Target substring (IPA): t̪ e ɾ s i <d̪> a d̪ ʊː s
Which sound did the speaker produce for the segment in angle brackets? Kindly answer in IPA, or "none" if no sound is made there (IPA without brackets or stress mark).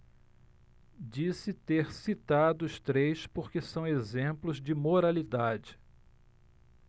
t̪